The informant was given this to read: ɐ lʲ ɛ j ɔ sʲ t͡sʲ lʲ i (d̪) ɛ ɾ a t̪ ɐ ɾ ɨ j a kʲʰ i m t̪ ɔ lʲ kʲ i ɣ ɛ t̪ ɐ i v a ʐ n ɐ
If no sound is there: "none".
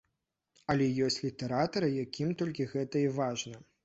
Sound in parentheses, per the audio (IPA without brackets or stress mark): t̪